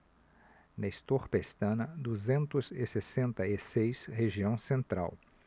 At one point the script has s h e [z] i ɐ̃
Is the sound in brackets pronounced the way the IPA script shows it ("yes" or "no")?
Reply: no